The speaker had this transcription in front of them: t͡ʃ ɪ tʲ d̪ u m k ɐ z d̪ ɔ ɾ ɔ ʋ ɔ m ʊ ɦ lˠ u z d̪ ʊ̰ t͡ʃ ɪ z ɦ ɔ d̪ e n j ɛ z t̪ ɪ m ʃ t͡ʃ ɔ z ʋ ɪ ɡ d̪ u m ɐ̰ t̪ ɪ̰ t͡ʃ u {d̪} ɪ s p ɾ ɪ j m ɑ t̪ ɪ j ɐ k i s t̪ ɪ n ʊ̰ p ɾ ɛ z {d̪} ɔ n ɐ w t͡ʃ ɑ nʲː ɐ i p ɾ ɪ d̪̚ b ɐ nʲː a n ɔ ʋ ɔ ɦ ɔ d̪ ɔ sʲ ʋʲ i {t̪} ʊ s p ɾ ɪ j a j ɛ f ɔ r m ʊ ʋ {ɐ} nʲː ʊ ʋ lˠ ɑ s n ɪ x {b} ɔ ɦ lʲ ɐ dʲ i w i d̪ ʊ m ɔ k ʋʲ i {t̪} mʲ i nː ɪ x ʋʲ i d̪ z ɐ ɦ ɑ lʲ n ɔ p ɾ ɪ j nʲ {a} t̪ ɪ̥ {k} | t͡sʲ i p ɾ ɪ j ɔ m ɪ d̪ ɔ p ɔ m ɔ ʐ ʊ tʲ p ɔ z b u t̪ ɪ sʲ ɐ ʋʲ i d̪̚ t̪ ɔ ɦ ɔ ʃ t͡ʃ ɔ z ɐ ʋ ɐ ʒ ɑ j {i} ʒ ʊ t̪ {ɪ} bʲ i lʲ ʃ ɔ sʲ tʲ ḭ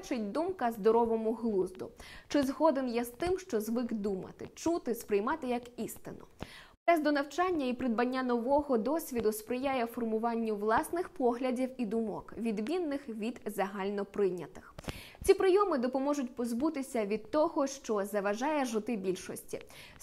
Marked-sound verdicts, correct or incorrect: incorrect, correct, incorrect, incorrect, incorrect, incorrect, incorrect, incorrect, incorrect, correct

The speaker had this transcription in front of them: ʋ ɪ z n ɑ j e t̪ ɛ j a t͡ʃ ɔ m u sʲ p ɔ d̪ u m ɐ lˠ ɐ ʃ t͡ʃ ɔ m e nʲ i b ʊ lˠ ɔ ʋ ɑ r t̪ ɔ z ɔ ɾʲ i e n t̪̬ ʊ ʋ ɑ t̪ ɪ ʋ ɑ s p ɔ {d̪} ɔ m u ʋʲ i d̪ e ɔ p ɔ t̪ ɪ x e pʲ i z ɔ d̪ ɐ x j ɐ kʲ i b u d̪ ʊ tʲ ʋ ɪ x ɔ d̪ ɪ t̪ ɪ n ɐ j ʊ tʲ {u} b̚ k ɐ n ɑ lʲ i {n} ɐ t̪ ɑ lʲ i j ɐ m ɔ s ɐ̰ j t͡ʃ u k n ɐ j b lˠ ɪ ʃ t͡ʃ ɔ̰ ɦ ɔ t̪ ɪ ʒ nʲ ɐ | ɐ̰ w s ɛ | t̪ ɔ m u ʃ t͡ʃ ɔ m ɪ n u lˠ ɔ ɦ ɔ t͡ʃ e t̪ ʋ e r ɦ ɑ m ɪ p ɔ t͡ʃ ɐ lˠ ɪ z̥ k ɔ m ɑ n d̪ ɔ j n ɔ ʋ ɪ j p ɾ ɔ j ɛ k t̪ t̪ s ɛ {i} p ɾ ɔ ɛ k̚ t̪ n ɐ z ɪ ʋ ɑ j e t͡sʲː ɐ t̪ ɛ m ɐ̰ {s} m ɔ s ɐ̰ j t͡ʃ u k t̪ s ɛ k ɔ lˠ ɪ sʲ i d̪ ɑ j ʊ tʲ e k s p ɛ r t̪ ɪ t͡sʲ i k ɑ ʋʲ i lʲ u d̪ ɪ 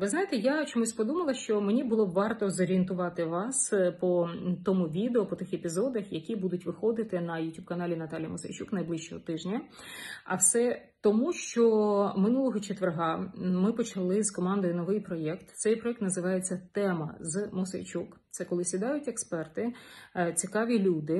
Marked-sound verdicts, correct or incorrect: incorrect, correct, correct, incorrect, incorrect

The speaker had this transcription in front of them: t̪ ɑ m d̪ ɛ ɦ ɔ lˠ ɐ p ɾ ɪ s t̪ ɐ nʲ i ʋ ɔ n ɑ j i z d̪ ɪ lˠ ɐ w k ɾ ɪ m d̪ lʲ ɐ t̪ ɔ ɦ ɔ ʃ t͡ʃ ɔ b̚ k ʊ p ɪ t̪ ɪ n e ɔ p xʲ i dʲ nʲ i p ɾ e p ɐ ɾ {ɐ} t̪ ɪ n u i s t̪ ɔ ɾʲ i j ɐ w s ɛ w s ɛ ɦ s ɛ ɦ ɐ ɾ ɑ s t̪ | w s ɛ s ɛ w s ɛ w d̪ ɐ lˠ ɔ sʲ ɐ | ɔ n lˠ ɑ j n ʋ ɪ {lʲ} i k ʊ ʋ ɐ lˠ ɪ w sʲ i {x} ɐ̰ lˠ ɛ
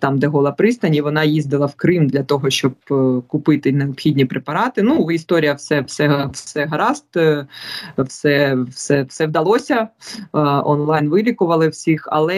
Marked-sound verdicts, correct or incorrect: incorrect, correct, correct

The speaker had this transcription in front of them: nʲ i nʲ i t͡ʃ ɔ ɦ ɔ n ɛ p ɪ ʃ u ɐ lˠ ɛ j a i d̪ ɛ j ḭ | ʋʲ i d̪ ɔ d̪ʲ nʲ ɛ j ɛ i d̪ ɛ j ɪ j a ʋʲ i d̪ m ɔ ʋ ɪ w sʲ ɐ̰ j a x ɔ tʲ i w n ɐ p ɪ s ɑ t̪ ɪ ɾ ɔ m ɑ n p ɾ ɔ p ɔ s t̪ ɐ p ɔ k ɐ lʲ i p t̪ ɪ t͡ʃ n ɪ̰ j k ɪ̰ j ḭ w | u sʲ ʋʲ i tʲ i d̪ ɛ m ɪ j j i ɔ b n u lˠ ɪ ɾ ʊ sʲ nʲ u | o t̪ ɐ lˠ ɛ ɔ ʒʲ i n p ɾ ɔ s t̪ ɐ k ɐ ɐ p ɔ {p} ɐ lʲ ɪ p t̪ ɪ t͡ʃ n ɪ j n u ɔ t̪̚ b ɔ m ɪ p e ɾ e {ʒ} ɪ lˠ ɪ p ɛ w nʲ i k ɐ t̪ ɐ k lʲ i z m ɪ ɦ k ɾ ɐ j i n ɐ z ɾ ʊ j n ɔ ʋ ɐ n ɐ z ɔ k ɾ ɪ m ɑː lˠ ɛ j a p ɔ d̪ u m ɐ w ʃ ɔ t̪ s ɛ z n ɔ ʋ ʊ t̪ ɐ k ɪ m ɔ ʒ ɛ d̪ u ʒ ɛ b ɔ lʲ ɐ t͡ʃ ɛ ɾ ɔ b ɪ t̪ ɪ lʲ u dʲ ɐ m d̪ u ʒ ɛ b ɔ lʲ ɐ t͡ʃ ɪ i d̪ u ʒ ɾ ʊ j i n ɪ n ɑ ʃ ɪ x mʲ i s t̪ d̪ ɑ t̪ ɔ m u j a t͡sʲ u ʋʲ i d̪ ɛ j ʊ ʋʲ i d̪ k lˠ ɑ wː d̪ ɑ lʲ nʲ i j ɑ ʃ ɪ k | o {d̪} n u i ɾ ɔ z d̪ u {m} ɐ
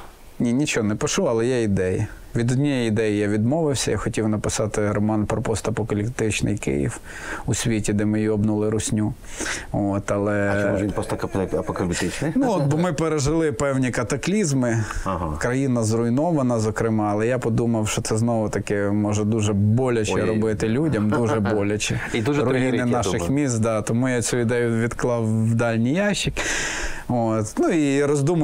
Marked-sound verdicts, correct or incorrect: incorrect, correct, incorrect, correct

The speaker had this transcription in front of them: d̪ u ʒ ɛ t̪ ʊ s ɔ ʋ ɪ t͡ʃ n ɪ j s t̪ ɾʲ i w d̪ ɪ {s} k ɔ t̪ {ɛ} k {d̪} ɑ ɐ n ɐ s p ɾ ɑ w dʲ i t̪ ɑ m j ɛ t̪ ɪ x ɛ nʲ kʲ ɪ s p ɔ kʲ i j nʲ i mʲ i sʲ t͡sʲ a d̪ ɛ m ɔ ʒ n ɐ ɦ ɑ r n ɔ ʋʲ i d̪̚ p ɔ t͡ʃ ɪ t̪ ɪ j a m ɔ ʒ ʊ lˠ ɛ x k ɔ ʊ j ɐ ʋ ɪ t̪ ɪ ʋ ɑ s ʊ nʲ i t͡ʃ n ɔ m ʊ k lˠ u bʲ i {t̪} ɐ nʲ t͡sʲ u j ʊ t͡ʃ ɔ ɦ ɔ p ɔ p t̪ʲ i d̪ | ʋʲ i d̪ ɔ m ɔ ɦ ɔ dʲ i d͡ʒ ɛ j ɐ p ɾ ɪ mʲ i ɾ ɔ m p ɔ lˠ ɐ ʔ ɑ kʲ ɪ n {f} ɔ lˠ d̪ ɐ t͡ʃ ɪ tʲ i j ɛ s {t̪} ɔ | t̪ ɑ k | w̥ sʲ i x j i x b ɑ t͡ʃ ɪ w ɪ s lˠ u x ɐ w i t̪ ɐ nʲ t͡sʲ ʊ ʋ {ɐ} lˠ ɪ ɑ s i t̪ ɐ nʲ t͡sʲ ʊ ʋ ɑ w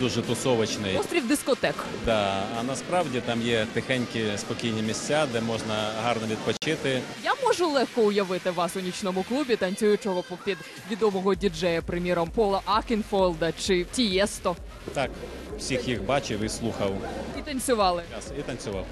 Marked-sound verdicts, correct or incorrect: correct, correct, correct, correct, correct, correct, incorrect

